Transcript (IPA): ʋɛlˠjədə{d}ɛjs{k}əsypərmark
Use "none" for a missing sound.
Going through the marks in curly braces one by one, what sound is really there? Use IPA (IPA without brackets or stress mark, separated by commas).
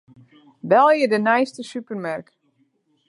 n, t